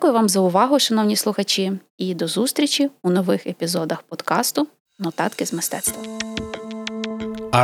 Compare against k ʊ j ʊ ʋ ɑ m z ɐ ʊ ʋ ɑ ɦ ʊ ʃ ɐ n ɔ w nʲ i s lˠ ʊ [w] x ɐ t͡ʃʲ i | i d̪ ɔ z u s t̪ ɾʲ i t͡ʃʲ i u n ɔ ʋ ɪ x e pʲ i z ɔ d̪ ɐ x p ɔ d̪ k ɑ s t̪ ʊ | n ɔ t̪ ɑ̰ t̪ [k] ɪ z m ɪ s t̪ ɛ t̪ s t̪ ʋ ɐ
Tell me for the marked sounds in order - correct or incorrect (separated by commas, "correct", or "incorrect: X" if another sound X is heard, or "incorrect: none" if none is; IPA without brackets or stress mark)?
incorrect: none, correct